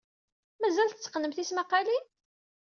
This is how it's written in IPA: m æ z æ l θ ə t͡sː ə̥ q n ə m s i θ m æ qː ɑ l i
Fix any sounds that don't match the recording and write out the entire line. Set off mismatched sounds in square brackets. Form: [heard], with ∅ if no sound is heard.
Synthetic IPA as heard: m æ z æ l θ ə t͡sː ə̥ q n ə m [θ] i [s] m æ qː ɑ l i